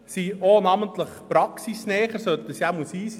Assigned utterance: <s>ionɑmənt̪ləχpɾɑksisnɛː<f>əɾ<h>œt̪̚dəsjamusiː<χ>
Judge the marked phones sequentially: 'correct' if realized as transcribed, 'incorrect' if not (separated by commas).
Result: correct, incorrect, incorrect, incorrect